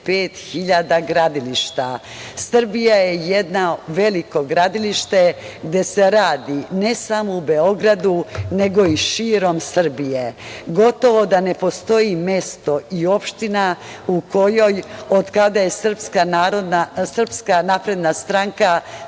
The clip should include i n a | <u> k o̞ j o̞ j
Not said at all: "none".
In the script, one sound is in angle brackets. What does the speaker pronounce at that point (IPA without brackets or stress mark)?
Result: u